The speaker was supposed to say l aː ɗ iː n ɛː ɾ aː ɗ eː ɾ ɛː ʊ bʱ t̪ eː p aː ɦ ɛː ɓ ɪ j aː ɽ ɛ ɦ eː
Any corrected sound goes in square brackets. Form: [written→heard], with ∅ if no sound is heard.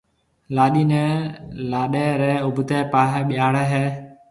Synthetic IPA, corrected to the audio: l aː ɗ iː n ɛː [ɾ→l] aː ɗ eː ɾ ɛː ʊ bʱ t̪ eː p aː ɦ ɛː ɓ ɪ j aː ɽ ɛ ɦ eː